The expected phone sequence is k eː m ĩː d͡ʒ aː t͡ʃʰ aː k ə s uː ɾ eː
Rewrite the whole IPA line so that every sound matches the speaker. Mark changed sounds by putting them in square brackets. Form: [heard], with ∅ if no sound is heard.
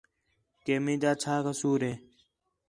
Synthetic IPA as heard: k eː m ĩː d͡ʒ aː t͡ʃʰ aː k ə s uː ɾ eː